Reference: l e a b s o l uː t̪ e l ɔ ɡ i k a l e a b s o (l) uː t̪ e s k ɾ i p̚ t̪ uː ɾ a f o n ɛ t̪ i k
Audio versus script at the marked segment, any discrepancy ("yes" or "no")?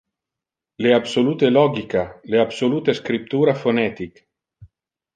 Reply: no